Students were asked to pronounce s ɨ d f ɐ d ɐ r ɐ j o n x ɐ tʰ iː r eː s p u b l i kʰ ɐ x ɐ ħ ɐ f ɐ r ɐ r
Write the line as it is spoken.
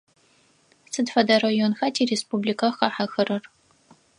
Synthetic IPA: s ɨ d f ɐ d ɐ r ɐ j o n x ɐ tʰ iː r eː s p u b l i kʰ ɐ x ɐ ħ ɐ x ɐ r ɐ r